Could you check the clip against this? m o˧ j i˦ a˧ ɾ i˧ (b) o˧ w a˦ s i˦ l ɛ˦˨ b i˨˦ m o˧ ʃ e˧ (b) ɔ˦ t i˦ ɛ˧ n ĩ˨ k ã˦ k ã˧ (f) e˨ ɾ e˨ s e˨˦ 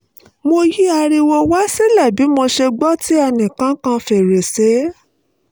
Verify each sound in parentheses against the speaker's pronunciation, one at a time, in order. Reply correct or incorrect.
incorrect: w, incorrect: ɡ͡b, correct

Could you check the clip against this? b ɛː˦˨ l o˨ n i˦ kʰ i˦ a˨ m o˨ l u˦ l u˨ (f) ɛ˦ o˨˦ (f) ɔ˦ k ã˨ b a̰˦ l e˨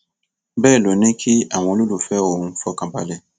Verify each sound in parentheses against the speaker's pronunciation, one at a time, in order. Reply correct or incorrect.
correct, correct

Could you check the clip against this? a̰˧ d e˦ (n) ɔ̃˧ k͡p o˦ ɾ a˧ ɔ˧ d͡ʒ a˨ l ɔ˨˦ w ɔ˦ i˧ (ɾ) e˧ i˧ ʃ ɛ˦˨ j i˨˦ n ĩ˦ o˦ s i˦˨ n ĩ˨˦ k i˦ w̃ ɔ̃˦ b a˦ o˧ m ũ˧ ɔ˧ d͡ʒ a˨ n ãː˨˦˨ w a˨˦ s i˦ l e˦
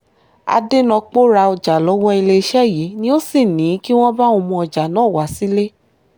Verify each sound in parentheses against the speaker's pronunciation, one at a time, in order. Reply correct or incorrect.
correct, incorrect: l

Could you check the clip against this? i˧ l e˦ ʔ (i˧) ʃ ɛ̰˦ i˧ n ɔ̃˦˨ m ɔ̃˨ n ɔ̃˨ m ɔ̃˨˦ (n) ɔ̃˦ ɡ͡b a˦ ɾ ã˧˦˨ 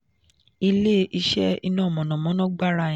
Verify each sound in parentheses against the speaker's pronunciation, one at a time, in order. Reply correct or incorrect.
correct, correct

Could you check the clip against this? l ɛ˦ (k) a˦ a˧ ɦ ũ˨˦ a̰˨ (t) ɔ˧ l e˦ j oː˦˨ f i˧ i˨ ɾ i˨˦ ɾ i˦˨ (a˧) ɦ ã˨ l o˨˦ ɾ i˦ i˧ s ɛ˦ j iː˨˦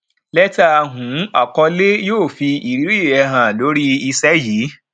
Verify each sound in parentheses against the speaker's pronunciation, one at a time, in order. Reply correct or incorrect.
incorrect: t, incorrect: k, incorrect: ɛ˧

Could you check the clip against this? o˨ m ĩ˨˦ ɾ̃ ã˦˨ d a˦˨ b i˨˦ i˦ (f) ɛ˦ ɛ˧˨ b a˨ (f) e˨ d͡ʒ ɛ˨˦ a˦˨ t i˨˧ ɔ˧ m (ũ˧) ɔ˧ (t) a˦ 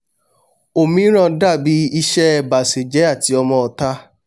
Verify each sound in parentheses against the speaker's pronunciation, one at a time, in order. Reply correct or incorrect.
incorrect: ʃ, incorrect: s, incorrect: ɔ̃˧, correct

